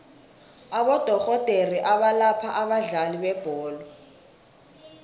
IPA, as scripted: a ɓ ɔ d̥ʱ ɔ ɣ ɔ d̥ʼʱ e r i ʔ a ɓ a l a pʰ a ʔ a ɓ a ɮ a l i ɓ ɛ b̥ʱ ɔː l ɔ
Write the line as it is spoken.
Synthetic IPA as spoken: a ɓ ɔ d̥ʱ ɔ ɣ ɔ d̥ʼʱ e r i ʔ a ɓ a l a pʰ a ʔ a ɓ a ɮ a l i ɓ ɛ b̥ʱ ɔː l ɔ